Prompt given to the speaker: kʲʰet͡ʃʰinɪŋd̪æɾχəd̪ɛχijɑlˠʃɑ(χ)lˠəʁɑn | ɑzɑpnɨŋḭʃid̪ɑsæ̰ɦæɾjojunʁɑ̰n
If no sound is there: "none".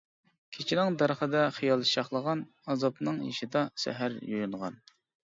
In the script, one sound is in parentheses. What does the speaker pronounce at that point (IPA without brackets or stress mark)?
χ